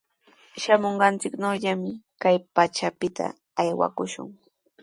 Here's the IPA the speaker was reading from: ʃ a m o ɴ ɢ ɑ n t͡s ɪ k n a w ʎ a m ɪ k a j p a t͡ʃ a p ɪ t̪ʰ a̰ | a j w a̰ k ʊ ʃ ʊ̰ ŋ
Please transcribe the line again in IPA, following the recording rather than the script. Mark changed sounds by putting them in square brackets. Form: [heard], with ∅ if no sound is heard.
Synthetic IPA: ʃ a m o ɴ ɢ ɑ n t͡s ɪ k n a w ʎ a m ɪ k a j p a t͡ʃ a p ɪ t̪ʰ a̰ | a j w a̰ k ʊ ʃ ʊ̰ ŋ